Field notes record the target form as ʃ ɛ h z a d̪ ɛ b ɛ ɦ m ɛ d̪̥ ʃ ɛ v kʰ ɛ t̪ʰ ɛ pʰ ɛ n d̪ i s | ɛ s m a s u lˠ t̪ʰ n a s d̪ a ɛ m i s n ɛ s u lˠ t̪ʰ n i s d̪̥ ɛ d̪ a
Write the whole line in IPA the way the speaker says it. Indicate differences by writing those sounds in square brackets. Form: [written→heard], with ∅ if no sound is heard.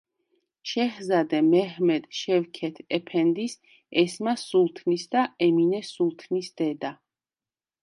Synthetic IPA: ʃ ɛ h z a d̪ ɛ [b→m] ɛ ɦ m ɛ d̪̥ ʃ ɛ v kʰ ɛ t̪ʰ ɛ pʰ ɛ n d̪ i s | ɛ s m a s u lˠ t̪ʰ n [a→i] s d̪ a ɛ m i [s→∅] n ɛ s u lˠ t̪ʰ n i s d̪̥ ɛ d̪ a